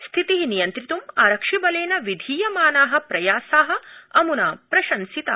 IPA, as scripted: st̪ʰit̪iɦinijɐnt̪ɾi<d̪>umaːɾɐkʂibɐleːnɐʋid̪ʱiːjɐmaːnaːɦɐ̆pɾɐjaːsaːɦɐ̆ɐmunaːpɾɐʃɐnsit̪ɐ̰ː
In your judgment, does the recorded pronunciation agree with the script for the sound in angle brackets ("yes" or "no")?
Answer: no